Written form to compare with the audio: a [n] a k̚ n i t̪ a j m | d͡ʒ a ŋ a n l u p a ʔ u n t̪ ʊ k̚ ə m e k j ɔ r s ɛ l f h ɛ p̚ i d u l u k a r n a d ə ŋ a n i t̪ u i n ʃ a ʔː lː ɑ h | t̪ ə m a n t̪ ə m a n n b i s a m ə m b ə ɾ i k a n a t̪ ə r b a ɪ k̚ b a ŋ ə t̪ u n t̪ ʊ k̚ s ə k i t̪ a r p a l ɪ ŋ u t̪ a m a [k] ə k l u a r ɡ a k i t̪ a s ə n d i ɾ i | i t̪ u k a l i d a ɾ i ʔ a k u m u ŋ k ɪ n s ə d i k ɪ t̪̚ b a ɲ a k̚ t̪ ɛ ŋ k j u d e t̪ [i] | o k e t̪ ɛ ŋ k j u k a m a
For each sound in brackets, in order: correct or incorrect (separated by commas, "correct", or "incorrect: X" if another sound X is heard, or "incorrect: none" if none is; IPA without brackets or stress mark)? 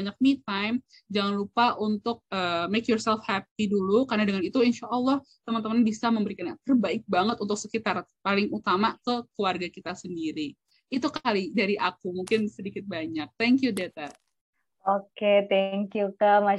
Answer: incorrect: ɲ, correct, incorrect: a